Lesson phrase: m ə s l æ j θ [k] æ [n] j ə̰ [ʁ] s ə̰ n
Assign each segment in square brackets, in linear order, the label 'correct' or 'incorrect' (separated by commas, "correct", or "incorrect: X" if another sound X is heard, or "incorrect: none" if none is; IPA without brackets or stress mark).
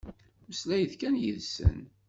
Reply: correct, correct, incorrect: ð